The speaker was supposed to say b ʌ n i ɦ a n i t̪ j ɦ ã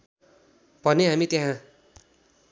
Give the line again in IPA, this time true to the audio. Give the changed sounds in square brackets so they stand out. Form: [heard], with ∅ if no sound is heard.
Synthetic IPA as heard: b ʌ n [e] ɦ a [m] i t̪ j ɦ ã